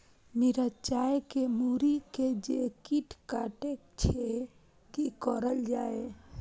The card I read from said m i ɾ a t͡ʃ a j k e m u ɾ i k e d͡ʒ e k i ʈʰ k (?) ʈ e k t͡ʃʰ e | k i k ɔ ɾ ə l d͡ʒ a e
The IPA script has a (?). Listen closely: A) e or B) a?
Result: B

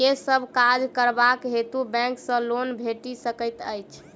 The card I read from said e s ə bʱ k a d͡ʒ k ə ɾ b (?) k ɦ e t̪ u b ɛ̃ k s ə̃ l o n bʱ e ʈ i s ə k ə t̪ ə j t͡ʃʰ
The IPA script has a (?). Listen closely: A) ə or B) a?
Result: B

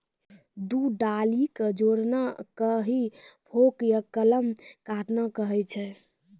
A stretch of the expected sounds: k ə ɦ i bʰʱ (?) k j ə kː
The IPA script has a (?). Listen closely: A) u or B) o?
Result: B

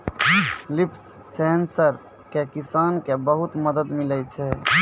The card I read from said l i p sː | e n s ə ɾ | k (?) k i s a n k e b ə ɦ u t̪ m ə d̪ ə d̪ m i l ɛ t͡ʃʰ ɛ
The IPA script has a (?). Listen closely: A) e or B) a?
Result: A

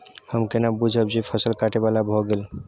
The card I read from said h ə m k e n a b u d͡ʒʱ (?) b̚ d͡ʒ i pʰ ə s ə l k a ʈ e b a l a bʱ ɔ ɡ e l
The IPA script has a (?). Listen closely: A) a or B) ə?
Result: B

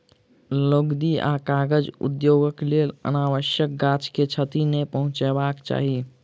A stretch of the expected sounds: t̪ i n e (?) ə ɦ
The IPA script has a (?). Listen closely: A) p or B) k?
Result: A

